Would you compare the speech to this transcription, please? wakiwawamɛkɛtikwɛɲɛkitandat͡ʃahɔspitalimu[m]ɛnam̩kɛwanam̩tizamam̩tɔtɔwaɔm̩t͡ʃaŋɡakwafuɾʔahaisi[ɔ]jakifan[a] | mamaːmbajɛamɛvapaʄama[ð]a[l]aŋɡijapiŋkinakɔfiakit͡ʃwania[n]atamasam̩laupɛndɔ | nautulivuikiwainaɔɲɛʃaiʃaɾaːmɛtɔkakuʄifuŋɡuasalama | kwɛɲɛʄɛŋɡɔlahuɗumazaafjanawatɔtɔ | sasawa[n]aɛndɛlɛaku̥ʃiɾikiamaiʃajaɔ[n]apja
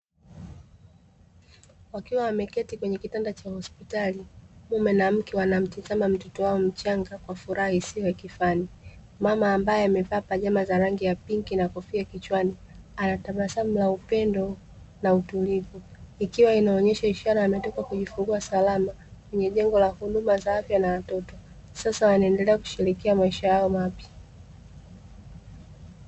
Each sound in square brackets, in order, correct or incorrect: correct, correct, incorrect: i, incorrect: z, incorrect: ɾ, correct, correct, incorrect: m

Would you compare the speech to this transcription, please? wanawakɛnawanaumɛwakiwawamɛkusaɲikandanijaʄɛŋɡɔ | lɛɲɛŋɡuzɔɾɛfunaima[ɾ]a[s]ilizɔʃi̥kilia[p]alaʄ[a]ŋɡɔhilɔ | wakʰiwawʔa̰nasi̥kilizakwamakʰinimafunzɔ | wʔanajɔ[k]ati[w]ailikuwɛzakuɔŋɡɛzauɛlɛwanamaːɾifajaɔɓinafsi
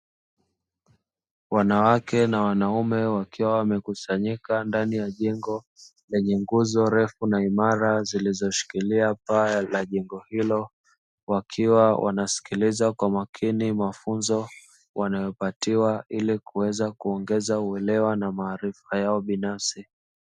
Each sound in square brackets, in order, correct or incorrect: correct, incorrect: z, correct, incorrect: ɛ, incorrect: p, correct

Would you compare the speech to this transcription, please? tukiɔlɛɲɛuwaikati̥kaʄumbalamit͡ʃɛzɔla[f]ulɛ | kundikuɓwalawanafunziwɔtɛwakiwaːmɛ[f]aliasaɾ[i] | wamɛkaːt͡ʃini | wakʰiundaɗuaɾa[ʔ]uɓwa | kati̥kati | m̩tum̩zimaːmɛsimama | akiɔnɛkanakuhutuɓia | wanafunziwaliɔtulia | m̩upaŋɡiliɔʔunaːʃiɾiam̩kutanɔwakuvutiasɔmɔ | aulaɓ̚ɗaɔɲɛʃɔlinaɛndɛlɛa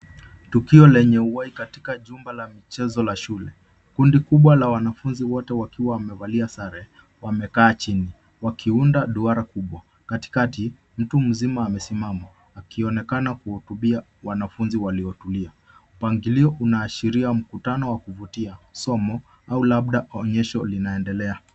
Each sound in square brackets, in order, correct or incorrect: incorrect: ʃ, incorrect: v, incorrect: ɛ, incorrect: k

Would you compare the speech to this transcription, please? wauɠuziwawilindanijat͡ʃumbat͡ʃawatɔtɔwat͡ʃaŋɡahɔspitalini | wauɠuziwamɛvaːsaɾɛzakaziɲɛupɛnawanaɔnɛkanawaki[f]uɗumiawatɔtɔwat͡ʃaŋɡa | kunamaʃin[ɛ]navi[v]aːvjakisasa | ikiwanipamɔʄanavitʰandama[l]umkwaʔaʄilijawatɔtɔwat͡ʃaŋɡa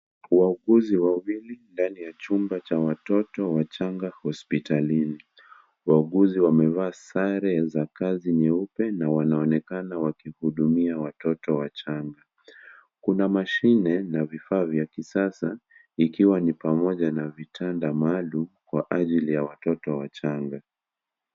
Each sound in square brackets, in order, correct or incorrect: incorrect: h, correct, incorrect: f, correct

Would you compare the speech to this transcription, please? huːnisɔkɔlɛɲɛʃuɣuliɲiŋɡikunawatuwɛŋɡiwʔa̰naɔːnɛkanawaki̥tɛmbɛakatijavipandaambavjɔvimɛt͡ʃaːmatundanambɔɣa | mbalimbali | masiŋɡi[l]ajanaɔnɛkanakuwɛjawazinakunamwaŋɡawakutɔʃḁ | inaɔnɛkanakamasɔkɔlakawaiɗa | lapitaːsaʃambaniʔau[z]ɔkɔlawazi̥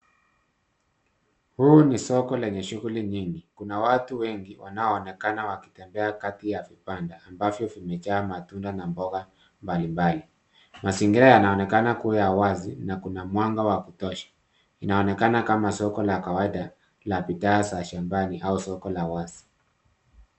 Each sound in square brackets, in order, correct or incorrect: incorrect: ɾ, incorrect: s

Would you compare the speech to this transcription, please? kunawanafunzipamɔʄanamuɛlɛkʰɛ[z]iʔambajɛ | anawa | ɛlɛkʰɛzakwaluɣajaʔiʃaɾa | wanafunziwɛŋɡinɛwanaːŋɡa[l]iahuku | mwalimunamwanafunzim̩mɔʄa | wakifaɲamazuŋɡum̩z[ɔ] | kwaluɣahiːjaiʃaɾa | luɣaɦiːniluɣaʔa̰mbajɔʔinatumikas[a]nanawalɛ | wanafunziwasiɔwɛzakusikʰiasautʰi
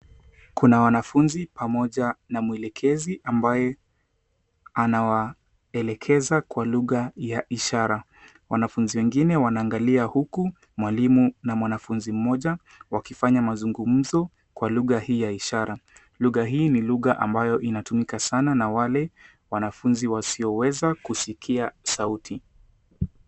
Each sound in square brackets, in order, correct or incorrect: correct, correct, correct, correct

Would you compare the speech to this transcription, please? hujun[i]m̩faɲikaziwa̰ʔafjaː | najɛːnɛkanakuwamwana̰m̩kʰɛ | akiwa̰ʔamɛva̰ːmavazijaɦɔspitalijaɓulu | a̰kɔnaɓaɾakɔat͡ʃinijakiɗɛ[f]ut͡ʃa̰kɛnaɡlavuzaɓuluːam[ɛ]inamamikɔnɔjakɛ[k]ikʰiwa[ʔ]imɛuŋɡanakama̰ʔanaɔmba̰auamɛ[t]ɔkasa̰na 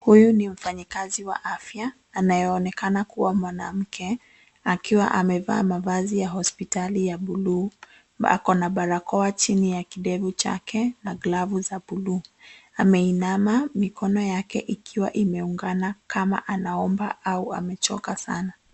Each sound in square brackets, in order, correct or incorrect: correct, incorrect: v, correct, incorrect: ʔ, correct, incorrect: t͡ʃ

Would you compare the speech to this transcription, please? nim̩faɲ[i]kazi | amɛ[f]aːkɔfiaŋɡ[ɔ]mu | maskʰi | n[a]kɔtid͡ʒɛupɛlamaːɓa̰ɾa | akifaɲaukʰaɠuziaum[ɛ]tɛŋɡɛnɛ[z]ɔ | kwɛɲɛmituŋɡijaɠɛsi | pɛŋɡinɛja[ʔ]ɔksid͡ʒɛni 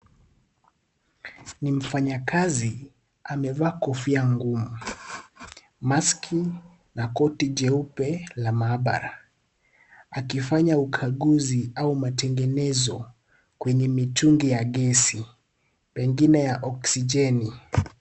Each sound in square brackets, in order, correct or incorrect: incorrect: a, incorrect: v, incorrect: u, correct, incorrect: a, correct, correct

